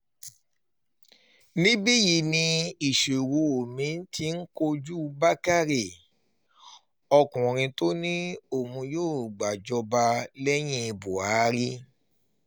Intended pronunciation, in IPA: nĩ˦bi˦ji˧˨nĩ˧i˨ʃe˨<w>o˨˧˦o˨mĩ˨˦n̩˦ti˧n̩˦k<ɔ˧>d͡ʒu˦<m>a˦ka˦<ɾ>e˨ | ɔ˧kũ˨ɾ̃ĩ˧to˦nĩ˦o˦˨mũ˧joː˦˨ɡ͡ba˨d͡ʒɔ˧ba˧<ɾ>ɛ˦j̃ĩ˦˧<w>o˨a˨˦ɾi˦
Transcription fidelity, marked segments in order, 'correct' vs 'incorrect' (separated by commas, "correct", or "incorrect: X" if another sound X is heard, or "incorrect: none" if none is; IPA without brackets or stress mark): correct, incorrect: o˧, incorrect: b, correct, incorrect: l, incorrect: b